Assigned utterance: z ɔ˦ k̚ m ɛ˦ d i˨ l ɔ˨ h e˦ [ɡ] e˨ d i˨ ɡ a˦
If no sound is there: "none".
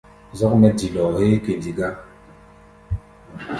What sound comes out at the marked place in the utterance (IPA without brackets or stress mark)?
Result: k